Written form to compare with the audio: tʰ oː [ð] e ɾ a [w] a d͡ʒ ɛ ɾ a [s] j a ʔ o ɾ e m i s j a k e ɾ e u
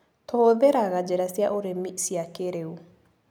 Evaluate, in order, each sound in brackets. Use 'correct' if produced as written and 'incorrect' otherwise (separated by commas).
correct, incorrect, correct